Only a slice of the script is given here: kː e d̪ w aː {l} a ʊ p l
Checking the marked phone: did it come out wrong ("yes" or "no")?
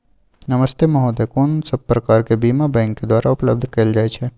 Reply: yes